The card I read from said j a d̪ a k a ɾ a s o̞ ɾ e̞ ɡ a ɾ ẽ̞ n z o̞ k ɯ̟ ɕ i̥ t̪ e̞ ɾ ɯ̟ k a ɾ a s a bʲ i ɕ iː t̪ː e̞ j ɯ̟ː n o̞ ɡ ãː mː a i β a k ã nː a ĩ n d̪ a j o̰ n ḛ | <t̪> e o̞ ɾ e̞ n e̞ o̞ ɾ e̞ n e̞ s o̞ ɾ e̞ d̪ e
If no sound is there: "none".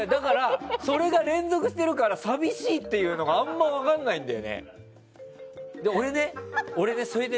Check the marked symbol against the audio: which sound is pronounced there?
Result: d̪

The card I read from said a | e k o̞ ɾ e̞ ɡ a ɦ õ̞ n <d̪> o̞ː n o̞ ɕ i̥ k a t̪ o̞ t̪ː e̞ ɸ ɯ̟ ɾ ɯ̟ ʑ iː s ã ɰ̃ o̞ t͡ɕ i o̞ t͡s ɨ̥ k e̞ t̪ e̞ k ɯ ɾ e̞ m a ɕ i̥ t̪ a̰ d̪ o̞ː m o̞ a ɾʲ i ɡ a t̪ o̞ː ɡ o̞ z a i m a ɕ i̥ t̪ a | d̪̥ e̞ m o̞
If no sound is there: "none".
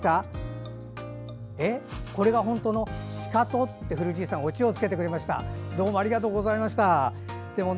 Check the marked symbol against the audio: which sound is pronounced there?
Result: t̪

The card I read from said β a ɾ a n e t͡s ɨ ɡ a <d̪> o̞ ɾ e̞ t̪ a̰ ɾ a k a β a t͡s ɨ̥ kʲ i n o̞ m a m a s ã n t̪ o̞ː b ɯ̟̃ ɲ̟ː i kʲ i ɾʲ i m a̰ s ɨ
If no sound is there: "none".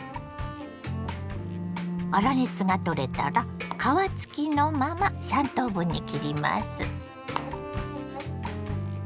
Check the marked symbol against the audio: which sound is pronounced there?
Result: t̪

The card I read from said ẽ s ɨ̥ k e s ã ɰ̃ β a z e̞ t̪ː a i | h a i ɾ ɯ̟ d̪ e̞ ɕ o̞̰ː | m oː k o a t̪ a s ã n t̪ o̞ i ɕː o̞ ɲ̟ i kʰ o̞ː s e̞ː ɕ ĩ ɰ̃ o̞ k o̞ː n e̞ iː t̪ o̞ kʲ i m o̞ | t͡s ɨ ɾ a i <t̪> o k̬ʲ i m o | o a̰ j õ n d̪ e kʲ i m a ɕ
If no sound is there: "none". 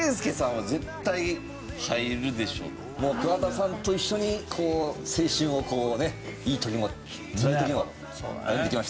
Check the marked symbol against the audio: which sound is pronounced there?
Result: t̪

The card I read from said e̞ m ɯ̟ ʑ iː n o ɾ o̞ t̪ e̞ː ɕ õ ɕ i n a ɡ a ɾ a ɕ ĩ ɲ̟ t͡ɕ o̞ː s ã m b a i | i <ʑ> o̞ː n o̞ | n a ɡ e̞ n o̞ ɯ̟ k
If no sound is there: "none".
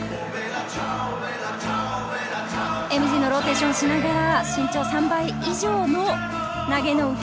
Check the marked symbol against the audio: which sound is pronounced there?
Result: ʑ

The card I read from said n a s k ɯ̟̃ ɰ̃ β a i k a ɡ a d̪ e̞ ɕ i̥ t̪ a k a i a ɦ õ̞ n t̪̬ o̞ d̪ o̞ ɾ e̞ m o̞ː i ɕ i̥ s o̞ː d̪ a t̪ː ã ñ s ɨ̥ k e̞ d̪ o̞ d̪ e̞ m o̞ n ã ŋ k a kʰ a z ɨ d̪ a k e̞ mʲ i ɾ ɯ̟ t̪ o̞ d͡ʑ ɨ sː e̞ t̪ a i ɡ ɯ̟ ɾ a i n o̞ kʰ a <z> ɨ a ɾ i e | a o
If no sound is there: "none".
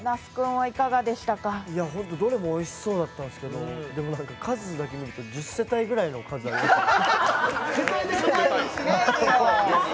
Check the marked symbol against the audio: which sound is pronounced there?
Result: z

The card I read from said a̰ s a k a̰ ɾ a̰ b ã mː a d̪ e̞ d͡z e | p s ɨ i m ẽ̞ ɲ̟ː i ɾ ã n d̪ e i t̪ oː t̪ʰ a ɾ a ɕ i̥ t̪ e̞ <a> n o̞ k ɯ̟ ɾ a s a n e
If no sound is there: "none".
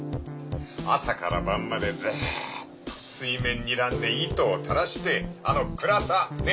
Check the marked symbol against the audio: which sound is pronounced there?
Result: a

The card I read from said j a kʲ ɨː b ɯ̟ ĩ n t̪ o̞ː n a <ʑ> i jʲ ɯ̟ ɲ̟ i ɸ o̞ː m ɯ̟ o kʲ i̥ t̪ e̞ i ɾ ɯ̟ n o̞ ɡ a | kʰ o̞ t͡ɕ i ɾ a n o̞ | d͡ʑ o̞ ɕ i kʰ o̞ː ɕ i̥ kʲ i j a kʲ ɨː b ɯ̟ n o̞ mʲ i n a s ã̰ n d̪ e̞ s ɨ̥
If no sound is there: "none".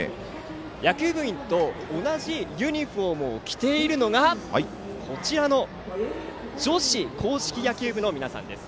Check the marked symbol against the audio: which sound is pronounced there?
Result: ʑ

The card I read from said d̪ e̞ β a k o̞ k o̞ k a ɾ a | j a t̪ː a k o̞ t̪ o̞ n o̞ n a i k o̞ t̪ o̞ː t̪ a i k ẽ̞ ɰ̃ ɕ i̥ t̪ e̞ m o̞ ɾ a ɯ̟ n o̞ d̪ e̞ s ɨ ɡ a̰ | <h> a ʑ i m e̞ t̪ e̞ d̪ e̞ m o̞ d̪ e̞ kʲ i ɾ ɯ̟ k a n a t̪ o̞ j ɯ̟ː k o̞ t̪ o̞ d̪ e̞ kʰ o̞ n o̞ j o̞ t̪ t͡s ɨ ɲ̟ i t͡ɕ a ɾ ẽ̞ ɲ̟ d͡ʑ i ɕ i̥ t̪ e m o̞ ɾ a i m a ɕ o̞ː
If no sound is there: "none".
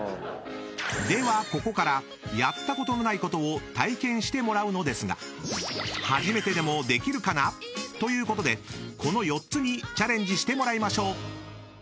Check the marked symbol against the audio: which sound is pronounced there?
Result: h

